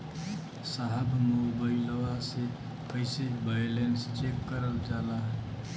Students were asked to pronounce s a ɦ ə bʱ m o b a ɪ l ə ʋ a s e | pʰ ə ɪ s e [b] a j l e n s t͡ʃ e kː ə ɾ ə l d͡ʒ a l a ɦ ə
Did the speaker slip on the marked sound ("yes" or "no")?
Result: no